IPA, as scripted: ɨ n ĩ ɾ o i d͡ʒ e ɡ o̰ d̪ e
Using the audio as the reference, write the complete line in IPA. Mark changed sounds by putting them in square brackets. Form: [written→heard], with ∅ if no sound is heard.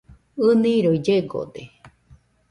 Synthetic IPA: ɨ n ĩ ɾ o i d͡ʒ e ɡ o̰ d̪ e